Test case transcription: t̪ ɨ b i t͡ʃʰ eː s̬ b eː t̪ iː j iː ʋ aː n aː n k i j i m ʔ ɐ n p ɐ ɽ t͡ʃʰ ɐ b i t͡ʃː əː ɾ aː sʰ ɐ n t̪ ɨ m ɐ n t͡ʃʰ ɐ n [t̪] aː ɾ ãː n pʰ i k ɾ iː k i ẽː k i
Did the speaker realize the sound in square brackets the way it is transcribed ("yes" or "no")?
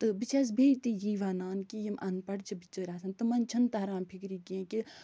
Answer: yes